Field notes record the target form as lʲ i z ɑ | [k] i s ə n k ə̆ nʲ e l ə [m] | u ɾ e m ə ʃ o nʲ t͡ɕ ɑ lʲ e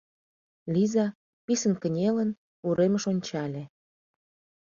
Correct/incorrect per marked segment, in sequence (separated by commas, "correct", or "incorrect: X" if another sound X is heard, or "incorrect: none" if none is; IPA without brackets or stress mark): incorrect: p, incorrect: n